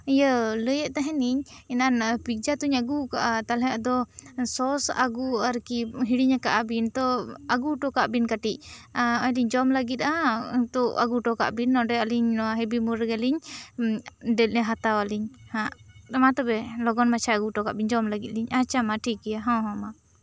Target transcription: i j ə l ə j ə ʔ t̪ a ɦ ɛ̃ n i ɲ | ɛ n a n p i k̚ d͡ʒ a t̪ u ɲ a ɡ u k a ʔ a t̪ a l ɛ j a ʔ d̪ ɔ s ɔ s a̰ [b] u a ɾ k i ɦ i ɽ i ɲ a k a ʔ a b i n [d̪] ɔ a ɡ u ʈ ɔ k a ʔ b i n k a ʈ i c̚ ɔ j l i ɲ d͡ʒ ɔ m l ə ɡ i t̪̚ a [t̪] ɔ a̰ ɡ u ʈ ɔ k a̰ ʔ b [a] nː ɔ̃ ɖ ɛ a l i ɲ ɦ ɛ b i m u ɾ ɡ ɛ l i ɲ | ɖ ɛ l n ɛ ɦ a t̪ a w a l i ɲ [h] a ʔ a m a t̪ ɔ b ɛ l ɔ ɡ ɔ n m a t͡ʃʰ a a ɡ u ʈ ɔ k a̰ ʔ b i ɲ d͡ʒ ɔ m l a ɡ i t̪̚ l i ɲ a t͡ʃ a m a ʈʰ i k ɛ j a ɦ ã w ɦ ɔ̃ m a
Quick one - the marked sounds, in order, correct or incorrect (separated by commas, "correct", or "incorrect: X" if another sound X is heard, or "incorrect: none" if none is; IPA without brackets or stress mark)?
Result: incorrect: ɡ, incorrect: t̪, correct, incorrect: i, correct